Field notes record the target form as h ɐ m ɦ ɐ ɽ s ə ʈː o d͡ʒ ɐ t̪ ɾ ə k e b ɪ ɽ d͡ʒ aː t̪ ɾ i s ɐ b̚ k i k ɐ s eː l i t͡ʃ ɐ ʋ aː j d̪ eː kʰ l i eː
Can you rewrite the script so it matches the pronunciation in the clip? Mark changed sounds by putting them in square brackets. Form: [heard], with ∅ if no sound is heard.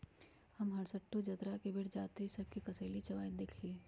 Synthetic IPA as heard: h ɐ m ɦ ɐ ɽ s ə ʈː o d͡ʒ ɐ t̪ ɾ [a] k e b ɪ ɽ d͡ʒ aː t̪ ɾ i s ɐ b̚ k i k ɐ s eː l i t͡ʃ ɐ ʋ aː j d̪ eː kʰ l i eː